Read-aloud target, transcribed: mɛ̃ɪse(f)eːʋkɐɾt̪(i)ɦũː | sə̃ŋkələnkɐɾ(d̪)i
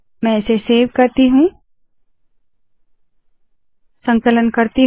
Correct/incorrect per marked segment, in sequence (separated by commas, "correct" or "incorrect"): incorrect, correct, incorrect